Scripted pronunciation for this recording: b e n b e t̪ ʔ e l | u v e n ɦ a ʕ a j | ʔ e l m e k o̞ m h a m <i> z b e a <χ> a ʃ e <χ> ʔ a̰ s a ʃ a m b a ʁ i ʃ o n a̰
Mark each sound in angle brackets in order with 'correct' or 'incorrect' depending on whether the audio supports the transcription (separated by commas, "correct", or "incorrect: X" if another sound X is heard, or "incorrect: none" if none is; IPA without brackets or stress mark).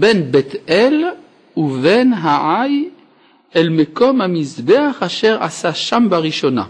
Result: correct, correct, incorrect: ʁ